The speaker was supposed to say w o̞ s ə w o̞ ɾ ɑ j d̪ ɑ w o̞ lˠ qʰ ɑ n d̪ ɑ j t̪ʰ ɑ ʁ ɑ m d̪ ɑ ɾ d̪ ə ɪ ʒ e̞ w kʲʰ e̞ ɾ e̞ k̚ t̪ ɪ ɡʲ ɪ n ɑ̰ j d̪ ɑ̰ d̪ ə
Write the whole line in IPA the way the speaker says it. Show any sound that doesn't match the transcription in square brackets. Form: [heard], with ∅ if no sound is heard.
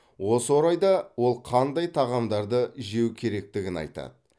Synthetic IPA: w o̞ s ə w o̞ ɾ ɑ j d̪ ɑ w o̞ lˠ qʰ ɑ n d̪ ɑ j t̪ʰ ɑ ʁ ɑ m d̪ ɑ ɾ d̪ ə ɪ ʒ e̞ w kʲʰ e̞ ɾ e̞ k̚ t̪ ɪ ɡʲ ɪ n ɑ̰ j [t̪] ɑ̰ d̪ ə